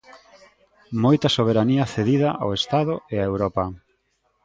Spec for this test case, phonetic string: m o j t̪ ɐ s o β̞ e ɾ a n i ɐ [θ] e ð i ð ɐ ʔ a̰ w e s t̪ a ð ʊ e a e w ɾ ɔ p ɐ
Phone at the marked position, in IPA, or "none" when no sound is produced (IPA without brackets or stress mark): θ